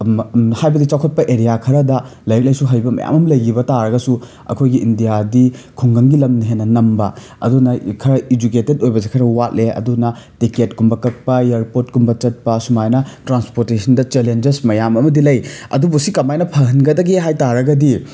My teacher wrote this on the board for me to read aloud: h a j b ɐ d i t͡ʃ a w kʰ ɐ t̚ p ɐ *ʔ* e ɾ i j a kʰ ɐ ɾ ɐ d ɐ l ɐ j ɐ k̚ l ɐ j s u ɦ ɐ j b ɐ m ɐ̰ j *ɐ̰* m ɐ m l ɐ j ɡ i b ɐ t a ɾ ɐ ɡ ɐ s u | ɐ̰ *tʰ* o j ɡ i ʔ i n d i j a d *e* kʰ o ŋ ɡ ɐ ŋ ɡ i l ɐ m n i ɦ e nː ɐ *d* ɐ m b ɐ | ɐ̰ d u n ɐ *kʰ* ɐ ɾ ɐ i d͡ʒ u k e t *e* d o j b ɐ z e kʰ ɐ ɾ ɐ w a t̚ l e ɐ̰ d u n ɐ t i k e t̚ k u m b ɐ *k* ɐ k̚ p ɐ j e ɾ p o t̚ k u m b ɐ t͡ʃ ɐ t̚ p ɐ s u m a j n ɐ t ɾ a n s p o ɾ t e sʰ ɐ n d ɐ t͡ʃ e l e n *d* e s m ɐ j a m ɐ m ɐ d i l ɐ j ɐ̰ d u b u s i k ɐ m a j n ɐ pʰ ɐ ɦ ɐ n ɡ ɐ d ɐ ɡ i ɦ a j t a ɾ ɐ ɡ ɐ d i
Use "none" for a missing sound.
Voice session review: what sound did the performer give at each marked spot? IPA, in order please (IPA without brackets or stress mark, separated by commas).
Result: ʔ, a̰, kʰ, i, n, kʰ, e, k, d͡ʒ